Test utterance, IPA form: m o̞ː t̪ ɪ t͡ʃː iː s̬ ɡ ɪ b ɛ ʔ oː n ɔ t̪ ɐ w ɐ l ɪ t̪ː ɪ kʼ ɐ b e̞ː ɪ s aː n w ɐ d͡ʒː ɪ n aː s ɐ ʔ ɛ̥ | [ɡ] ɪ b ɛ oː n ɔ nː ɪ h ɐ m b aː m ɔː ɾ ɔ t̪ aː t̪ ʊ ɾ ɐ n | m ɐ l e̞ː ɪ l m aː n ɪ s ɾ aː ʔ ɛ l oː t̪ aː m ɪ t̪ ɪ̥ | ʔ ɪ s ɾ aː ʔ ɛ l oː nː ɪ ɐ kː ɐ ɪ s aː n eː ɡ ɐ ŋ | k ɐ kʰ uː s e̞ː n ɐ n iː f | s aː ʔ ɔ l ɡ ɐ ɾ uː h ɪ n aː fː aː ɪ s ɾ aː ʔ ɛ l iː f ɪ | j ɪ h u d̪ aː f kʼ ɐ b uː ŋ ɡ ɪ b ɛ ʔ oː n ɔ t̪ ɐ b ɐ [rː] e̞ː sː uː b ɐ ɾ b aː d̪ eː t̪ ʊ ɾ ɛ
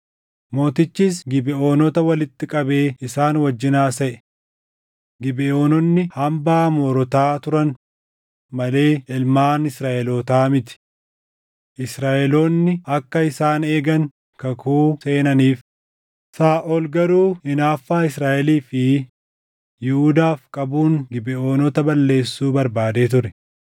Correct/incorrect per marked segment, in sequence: correct, incorrect: lː

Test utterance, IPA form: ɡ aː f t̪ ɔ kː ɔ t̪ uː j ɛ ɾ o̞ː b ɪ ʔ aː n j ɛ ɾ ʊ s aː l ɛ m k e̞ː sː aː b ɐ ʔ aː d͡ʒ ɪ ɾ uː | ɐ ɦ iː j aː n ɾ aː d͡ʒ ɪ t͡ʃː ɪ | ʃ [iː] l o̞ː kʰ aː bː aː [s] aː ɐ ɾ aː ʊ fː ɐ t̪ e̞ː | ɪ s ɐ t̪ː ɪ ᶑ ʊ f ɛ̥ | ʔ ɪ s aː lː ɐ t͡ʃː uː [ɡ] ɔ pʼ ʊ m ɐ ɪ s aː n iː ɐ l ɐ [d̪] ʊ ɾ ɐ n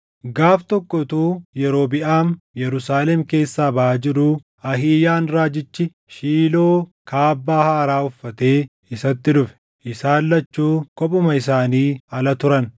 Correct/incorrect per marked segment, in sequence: correct, incorrect: h, incorrect: k, incorrect: t̪

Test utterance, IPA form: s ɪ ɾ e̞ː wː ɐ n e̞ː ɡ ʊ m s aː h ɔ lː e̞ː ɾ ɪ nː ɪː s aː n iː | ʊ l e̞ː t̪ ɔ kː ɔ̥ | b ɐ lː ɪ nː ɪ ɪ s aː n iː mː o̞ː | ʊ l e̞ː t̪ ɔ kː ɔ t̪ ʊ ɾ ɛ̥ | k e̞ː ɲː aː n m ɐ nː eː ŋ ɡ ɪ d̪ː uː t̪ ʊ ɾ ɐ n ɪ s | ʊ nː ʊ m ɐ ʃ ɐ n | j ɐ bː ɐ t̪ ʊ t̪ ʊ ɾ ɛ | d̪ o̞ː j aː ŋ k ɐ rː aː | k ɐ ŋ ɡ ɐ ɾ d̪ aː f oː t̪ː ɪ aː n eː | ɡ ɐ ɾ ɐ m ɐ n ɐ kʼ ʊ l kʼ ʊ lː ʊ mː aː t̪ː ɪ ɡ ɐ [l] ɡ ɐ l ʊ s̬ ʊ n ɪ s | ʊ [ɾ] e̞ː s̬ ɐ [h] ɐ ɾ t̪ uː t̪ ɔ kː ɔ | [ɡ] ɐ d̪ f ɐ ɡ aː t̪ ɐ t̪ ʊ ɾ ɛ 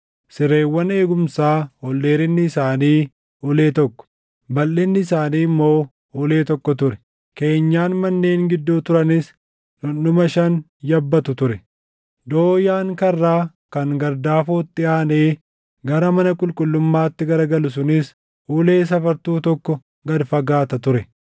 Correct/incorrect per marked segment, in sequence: incorrect: ɾ, incorrect: l, incorrect: f, correct

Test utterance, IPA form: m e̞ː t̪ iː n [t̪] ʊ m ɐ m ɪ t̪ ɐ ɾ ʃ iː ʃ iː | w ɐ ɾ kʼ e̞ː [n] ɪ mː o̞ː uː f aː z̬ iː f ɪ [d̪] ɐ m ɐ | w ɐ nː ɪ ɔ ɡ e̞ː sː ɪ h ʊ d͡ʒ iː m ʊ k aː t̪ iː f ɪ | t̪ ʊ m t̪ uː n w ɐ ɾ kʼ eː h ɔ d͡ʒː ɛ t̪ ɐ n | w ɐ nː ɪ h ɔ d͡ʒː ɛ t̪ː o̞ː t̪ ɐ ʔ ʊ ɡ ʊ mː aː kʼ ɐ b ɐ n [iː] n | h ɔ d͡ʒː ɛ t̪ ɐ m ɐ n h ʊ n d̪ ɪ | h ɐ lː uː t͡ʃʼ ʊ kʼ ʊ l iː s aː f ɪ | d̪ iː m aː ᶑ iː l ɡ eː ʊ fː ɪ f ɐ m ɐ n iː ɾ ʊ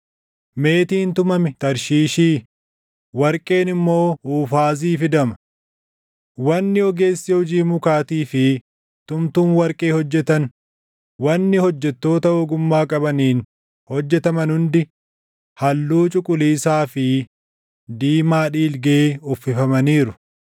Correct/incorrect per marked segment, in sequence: correct, correct, correct, correct

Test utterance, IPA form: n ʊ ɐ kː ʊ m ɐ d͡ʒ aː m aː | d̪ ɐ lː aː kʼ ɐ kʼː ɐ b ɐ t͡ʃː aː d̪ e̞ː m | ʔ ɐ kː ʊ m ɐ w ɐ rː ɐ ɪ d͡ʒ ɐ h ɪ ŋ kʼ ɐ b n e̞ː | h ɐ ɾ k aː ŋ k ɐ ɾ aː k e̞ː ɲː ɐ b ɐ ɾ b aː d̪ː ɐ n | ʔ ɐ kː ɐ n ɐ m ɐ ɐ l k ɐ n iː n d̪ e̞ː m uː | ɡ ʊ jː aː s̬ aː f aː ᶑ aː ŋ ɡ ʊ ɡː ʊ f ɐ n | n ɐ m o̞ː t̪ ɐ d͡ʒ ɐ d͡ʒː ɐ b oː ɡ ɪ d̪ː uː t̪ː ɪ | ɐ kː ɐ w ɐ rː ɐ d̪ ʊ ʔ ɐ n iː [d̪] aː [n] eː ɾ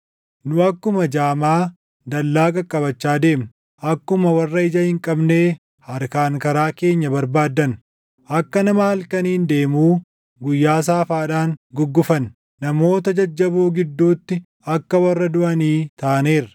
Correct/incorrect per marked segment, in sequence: incorrect: t̪, correct

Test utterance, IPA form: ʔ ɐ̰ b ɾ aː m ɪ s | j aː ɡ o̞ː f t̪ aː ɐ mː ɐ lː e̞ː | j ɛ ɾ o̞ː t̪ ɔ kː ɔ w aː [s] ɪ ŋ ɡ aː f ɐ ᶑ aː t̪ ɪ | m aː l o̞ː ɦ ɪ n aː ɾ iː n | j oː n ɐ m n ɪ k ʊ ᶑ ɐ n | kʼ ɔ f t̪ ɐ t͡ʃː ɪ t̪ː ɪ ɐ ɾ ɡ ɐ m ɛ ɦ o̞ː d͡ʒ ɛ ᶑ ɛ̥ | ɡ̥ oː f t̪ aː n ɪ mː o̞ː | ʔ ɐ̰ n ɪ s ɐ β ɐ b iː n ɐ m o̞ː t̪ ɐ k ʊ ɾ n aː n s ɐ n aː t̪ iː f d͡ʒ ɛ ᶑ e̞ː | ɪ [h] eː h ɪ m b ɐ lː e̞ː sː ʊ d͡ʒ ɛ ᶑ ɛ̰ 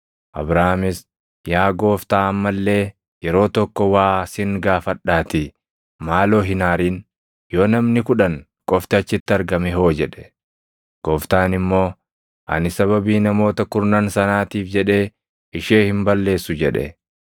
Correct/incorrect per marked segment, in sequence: correct, incorrect: ʃ

